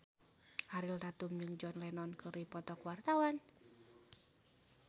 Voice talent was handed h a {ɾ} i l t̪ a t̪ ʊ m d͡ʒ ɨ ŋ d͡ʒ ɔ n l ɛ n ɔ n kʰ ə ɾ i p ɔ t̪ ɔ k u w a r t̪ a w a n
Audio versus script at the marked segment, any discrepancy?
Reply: no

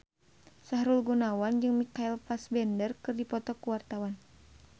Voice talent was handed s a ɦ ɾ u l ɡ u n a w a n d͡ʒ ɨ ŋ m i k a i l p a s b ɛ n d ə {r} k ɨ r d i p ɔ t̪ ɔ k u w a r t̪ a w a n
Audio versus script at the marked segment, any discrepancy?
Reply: no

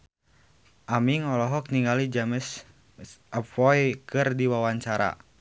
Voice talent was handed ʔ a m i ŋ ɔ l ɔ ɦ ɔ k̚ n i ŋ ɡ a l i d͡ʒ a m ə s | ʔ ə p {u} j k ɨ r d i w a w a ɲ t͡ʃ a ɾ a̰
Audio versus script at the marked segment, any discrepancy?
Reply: yes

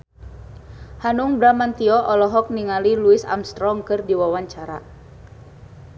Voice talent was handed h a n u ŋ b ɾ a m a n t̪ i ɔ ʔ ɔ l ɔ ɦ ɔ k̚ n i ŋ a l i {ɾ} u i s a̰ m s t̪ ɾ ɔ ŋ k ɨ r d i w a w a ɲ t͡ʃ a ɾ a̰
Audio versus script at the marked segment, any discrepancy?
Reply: yes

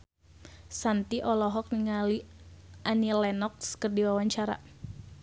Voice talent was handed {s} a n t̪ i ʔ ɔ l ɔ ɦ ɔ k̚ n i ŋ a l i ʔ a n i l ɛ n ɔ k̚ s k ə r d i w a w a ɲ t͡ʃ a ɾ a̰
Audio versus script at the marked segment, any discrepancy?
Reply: no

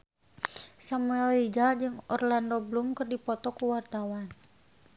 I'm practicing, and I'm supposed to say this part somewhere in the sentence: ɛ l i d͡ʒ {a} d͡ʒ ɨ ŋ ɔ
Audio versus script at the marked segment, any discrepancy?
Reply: no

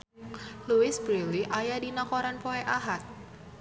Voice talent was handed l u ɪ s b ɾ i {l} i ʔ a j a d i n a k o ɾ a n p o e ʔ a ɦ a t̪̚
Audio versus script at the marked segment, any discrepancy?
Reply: no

